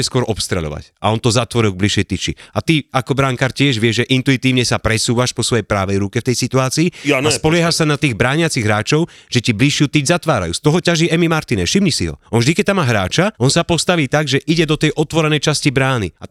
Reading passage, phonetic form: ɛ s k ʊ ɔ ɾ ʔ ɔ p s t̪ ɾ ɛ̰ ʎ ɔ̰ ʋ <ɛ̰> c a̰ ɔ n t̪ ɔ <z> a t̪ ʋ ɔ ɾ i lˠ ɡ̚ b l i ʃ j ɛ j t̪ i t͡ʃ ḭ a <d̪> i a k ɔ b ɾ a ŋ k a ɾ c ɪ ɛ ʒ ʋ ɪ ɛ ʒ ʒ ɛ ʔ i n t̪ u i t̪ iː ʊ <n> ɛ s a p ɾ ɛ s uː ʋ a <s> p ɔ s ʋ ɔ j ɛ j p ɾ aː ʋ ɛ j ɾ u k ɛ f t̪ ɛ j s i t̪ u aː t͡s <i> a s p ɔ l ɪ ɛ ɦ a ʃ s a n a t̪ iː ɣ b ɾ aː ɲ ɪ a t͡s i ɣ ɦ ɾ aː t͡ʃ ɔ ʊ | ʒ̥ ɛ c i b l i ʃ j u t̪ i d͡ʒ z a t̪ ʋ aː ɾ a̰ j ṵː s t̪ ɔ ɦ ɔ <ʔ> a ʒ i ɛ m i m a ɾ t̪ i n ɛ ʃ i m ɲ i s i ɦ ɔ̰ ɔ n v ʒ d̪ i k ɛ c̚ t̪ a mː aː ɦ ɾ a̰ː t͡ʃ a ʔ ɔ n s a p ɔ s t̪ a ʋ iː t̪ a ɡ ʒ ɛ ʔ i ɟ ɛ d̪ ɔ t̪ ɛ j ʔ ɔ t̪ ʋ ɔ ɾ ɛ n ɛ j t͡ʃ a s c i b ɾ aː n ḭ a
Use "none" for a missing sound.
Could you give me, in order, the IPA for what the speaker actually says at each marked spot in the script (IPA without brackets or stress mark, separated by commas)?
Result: a̰, z, t̪, ɲ, ʃ, iː, c